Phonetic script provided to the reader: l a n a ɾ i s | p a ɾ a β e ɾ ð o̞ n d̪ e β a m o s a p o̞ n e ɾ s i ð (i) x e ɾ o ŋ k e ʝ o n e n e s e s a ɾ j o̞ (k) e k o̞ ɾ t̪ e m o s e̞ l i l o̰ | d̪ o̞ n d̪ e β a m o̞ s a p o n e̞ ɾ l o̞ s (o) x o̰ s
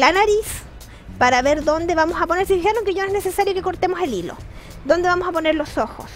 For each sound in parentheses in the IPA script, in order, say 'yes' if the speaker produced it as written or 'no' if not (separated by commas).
yes, yes, yes